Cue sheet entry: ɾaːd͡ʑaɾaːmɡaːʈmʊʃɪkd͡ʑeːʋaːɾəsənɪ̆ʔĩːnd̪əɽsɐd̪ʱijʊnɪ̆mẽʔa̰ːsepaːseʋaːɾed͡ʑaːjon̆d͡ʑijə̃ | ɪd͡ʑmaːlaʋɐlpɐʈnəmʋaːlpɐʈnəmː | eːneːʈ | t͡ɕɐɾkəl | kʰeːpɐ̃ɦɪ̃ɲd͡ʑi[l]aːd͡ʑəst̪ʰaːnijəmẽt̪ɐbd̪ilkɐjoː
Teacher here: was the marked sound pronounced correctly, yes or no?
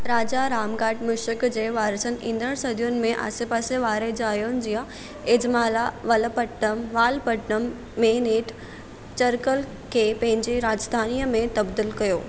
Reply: no